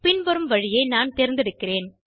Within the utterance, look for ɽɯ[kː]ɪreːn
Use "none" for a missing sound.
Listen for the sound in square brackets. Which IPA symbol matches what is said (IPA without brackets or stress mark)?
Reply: kː